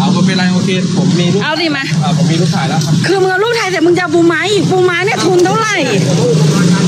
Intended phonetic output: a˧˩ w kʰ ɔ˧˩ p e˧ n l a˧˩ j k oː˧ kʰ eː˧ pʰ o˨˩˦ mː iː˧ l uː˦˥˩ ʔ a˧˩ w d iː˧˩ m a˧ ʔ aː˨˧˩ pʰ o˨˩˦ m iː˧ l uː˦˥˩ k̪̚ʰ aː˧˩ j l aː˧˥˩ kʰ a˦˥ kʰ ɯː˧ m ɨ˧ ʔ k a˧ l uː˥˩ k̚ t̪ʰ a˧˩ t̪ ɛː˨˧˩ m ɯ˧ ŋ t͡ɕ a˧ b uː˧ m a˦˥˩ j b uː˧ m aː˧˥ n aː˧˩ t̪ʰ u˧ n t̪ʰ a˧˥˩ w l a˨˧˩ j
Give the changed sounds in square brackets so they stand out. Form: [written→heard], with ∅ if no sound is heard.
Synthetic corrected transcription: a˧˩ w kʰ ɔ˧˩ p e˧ n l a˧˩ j [k→ʔ] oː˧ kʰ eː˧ pʰ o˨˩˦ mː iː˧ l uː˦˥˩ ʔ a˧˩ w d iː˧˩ m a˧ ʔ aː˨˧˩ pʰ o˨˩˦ m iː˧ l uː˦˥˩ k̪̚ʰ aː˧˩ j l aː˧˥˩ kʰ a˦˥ kʰ ɯː˧ m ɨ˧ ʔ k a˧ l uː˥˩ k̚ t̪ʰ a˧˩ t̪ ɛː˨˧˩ m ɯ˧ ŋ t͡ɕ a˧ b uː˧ m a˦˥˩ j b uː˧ m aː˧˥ n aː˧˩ t̪ʰ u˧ n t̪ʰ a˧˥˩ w l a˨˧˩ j